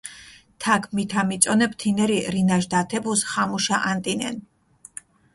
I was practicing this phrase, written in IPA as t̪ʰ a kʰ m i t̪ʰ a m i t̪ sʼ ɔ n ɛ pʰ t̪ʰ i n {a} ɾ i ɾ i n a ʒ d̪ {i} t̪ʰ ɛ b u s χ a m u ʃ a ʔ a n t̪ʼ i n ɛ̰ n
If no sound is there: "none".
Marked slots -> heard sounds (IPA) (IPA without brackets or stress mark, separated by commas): ɛ, a